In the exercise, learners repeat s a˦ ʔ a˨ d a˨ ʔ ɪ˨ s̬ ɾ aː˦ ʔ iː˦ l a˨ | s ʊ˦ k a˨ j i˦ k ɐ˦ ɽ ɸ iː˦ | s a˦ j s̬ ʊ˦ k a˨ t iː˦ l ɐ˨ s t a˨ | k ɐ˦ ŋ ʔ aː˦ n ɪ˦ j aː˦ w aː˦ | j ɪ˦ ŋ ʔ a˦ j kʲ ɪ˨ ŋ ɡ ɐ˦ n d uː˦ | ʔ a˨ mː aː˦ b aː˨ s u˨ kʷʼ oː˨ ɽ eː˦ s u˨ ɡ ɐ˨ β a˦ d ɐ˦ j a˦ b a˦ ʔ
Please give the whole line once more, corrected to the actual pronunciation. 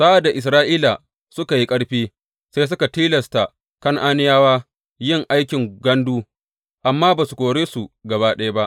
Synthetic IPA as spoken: s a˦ ʔ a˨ d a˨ ʔ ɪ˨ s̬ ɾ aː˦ ʔ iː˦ l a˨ | s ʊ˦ k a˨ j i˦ kʼ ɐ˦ ɽ ɸ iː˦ | s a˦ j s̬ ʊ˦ k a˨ t iː˦ l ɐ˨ s t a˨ | k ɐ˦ ŋ ʔ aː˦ n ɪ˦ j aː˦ w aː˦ | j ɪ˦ ŋ ʔ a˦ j kʲ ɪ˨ ŋ ɡ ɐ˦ n d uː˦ | ʔ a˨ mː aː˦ b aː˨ s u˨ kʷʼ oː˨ ɽ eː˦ s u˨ ɡ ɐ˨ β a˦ ɗ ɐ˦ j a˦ b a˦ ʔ